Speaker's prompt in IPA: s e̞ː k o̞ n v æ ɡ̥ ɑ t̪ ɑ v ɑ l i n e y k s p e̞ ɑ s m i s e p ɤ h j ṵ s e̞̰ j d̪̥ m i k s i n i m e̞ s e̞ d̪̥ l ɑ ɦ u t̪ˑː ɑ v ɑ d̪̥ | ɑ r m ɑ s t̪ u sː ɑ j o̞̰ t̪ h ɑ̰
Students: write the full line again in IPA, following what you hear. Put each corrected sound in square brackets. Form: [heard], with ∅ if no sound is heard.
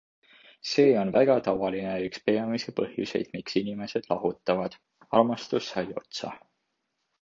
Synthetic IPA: s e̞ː [∅] o̞ n v æ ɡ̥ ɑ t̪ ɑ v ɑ l i n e y k s p e̞ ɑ [∅] m i s e p ɤ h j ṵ s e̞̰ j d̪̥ m i k s i n i m e̞ s e̞ d̪̥ l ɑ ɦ u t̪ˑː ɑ v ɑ d̪̥ | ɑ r m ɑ s t̪ u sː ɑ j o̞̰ t̪ [s] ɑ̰